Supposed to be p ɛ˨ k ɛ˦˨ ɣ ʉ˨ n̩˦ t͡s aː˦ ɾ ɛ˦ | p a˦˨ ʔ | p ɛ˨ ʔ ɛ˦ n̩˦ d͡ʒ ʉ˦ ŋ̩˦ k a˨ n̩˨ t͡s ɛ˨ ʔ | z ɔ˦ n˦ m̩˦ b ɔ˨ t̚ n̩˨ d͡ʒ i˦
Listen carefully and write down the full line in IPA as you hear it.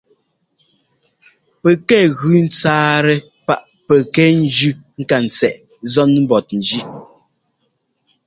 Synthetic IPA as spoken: p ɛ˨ k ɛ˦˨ ɣ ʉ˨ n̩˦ t͡s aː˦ ɾ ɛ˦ | p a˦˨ ʔ | p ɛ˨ k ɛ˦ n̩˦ d͡ʒ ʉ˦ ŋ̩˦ k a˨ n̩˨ t͡s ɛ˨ ʔ | z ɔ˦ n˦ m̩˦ b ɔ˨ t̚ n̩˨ d͡ʒ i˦